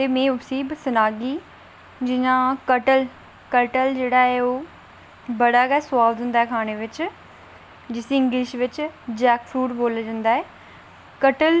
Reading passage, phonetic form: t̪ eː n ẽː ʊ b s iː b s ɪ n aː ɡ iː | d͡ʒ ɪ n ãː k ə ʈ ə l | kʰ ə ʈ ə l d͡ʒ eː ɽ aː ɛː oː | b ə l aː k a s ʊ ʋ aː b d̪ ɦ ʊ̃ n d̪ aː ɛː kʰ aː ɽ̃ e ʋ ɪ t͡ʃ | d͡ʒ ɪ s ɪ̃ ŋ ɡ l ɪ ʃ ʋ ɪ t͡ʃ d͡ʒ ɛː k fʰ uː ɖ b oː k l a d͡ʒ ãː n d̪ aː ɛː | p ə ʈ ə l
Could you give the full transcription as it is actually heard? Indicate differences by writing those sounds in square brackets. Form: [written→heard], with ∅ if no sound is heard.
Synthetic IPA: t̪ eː [n→m] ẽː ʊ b s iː b s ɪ n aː ɡ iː | d͡ʒ ɪ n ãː k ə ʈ ə l | [kʰ→k] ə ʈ ə l d͡ʒ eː ɽ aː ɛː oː | b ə [l→ɽ] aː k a s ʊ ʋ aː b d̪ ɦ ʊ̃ n d̪ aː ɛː kʰ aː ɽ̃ e ʋ ɪ t͡ʃ | d͡ʒ ɪ s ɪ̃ ŋ ɡ l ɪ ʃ ʋ ɪ t͡ʃ d͡ʒ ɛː k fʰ uː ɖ b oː [k→∅] l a d͡ʒ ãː n d̪ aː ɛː | [p→k] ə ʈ ə l